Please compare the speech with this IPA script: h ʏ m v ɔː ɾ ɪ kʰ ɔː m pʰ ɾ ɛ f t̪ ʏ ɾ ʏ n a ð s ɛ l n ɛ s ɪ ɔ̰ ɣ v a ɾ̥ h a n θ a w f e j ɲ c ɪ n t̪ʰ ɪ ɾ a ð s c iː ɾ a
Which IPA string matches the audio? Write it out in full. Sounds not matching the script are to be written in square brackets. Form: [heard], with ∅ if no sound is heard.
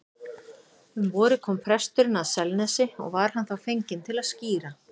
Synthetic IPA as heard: h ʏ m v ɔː ɾ ɪ kʰ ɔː m pʰ ɾ ɛ [s] t̪ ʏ ɾ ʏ n a ð s ɛ l n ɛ s ɪ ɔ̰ ɣ v a ɾ̥ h a n θ a w f e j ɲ c ɪ n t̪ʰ ɪ [l] a ð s c iː ɾ a